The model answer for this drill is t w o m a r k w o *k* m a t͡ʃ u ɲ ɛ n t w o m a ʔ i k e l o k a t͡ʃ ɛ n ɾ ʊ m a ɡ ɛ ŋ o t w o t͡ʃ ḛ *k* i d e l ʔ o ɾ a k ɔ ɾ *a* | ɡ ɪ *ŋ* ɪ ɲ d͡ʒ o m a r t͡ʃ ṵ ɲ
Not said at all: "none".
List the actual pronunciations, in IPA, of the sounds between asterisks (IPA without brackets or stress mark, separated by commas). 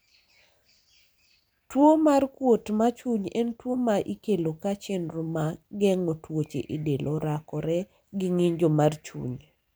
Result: t, ʔ, ɛ, ŋ